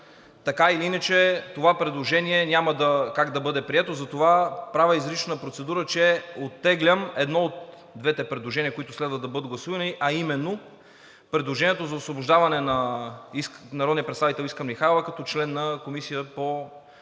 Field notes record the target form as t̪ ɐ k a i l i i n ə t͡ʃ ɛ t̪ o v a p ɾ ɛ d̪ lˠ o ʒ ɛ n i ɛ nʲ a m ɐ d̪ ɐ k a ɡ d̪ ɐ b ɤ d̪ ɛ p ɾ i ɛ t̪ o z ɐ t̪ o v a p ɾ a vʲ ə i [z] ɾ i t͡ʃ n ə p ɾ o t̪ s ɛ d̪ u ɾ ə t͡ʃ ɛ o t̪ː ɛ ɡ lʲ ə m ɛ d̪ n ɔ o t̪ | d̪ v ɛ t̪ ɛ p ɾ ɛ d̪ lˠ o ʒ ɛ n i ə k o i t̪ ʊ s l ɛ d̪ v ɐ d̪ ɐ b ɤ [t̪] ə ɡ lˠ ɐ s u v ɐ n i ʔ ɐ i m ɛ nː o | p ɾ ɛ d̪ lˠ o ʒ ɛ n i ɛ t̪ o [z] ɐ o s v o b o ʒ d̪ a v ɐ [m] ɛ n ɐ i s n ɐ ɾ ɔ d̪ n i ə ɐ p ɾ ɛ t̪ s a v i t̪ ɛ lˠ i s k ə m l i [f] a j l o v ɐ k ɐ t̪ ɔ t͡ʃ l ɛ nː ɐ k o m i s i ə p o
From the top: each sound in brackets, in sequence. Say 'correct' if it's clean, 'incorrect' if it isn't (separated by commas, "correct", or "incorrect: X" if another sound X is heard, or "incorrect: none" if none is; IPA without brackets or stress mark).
correct, incorrect: d̪, correct, incorrect: n, incorrect: x